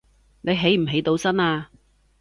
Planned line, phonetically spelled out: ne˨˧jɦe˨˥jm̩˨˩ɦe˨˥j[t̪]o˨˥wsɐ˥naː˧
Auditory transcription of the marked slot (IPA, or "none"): t̪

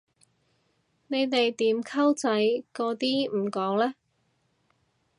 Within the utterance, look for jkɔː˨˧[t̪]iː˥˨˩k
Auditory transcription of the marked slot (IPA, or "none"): t̪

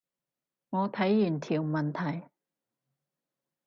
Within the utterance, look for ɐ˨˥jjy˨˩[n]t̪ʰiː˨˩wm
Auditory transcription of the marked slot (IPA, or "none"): n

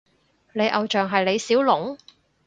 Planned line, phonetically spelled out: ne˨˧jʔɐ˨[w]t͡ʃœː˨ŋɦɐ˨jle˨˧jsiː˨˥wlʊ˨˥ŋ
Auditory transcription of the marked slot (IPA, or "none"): w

